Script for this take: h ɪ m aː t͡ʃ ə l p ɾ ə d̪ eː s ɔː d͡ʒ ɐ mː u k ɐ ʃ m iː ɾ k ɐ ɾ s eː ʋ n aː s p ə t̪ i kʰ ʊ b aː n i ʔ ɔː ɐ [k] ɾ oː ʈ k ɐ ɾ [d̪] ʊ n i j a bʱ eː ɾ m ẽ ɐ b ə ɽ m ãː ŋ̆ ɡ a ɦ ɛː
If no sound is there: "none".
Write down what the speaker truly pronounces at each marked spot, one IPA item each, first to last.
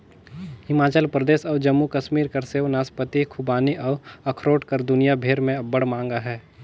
kʰ, d̪

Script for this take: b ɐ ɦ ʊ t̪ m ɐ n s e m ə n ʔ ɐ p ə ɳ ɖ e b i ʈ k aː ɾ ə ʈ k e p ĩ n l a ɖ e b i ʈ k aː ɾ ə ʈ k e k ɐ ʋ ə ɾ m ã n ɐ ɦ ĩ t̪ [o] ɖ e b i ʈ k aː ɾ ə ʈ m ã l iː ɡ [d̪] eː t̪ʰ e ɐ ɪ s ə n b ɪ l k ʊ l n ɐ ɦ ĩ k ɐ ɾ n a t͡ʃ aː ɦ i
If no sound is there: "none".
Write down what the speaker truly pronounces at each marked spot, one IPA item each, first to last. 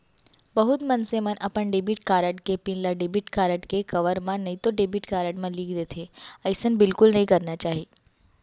o, d̪

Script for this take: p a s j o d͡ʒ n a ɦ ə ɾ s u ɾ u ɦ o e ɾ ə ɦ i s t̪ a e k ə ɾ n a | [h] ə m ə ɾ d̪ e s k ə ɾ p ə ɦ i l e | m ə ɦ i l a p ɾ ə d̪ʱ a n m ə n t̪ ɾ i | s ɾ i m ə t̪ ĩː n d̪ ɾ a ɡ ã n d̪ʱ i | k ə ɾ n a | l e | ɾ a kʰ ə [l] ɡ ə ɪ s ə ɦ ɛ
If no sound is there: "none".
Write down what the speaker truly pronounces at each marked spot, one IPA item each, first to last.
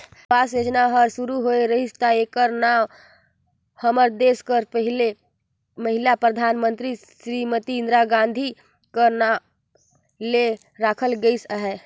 h, l

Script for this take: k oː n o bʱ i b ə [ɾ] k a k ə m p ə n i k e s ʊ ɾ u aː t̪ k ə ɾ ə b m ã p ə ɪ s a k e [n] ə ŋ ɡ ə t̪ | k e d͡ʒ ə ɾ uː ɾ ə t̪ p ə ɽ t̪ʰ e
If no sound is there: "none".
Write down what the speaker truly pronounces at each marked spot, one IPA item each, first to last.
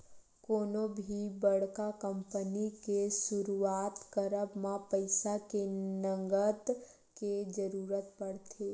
ɽ, n

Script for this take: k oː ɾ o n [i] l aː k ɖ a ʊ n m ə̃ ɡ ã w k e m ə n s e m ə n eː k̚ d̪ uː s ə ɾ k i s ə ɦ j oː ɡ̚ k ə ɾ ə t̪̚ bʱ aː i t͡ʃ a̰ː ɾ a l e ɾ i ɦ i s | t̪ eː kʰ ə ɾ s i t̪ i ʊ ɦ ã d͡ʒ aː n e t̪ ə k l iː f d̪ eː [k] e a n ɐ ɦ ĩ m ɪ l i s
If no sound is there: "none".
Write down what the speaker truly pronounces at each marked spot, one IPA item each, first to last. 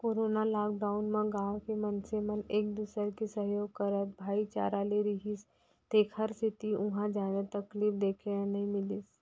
a, kʰ

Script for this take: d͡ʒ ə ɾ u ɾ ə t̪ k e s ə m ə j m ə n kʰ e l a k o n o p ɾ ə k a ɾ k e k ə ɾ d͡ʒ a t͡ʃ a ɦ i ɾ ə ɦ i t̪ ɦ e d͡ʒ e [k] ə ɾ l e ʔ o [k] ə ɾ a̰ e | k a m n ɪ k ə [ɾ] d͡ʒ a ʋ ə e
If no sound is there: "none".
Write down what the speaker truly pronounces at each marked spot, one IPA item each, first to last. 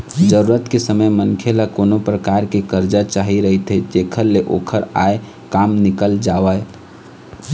kʰ, kʰ, l

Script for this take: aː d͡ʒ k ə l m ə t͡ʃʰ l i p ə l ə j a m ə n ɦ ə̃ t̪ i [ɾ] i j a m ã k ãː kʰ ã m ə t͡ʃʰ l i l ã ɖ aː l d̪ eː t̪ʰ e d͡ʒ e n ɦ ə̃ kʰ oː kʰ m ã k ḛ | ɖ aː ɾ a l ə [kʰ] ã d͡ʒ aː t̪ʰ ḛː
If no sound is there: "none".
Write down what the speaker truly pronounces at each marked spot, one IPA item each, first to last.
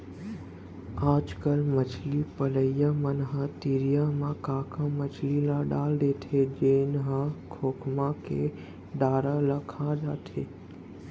ɾ, kʰ

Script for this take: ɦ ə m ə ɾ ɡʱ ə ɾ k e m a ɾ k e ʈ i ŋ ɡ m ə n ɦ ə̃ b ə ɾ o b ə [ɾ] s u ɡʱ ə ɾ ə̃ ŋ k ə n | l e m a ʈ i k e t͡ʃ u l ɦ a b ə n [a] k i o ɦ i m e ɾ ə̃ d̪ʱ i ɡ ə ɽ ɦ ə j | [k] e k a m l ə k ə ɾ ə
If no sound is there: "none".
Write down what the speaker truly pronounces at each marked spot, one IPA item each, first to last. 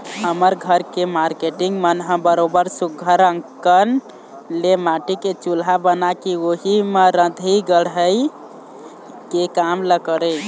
ɾ, a, k

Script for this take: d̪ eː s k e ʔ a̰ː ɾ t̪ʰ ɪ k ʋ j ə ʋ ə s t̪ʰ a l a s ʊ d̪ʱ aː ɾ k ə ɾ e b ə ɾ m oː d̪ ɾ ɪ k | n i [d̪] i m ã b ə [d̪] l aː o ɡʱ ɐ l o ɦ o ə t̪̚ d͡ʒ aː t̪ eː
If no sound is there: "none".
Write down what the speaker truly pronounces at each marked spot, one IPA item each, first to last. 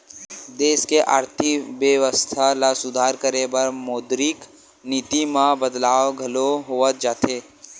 t̪, d̪

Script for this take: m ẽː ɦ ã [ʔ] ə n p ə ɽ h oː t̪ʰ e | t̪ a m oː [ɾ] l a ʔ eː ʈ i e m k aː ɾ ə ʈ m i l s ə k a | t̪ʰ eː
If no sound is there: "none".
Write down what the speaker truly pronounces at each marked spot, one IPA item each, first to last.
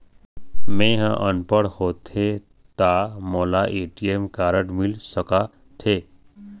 ʔ, none

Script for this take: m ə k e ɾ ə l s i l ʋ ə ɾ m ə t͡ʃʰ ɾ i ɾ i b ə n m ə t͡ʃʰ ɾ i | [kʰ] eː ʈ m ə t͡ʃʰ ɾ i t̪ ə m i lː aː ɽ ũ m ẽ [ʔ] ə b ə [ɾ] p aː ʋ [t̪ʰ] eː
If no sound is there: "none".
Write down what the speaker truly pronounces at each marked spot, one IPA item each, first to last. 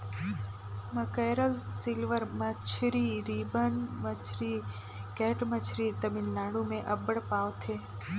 k, ʔ, ɽ, t̪ʰ

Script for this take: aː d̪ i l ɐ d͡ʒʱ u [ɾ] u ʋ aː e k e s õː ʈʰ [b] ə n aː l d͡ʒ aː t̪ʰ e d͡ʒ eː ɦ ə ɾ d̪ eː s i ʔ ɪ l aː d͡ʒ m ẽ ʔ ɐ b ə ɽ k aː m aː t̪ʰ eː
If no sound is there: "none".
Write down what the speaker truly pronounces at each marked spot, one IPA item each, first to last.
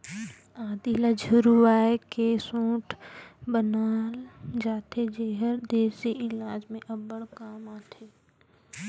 ɾ, b

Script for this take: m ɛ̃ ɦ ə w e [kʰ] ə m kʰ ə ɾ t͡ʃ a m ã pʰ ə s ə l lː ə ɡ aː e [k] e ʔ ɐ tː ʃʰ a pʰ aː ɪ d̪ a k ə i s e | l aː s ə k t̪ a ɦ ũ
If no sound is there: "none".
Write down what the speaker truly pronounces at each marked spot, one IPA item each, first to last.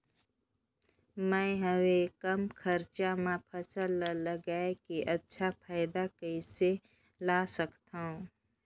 k, k

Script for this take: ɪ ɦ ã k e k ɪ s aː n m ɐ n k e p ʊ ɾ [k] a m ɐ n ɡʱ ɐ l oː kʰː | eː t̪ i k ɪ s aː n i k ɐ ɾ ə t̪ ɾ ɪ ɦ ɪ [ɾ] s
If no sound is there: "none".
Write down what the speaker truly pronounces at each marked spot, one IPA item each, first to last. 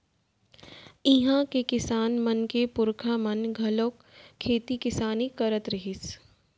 kʰ, none

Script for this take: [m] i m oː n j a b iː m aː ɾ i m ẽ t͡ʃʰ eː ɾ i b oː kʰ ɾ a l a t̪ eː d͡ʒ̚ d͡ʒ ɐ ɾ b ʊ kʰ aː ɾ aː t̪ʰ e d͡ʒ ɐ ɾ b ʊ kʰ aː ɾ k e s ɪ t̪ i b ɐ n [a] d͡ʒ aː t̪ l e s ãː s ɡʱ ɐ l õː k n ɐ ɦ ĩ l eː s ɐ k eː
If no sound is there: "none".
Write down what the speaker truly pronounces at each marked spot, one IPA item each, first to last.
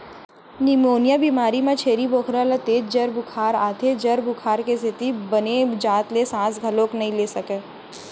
n, e

